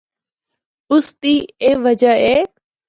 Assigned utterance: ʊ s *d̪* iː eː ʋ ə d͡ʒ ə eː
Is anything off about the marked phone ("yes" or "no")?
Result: yes